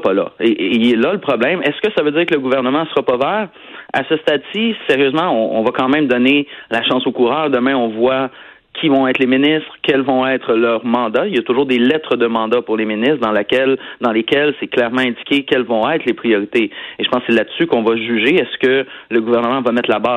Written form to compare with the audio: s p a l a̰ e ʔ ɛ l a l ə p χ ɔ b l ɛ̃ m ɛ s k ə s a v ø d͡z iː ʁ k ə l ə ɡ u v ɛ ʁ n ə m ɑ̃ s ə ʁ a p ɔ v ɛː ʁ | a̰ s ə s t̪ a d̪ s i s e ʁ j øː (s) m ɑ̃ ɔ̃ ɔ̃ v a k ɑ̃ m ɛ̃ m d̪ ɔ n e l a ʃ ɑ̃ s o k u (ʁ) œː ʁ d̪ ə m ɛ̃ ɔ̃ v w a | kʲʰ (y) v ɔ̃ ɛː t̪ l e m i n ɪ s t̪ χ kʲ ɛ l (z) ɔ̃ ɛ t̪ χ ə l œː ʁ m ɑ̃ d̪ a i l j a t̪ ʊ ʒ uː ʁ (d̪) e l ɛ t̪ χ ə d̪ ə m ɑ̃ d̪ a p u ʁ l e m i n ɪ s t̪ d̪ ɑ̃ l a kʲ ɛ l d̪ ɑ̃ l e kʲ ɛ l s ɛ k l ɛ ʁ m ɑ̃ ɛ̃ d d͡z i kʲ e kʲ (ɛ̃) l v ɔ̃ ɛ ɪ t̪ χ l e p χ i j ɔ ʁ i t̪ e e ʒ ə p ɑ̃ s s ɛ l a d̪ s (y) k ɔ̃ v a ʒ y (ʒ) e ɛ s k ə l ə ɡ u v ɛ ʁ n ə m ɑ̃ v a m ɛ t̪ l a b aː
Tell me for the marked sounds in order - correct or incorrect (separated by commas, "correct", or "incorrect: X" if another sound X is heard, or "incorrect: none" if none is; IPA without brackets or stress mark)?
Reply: incorrect: z, correct, incorrect: i, incorrect: v, correct, incorrect: ɛ, correct, correct